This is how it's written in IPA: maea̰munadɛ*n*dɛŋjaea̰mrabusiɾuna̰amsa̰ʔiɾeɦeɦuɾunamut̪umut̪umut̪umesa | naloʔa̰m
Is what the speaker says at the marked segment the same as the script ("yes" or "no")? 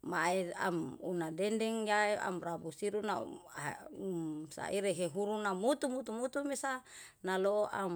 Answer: yes